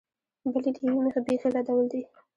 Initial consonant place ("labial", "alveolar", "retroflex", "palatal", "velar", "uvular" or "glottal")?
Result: labial